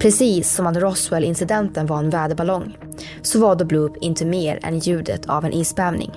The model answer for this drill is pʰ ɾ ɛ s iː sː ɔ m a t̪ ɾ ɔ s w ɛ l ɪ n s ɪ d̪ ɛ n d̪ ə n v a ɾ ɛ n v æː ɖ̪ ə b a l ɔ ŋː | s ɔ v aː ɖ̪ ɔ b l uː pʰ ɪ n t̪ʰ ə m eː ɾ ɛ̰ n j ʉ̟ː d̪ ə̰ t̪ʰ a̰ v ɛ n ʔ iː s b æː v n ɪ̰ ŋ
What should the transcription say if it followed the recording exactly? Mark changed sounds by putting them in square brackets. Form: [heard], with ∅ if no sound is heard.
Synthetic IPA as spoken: pʰ ɾ ɛ s iː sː ɔ m a t̪ ɾ ɔ s w ɛ l ɪ n s ɪ d̪ ɛ n [t̪] ə n v a ɾ ɛ n v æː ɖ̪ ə b a l ɔ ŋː | s ɔ v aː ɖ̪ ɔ b l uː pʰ ɪ n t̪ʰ ə m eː ɾ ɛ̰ n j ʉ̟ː d̪ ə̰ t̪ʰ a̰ v ɛ n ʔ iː s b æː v n ɪ̰ ŋ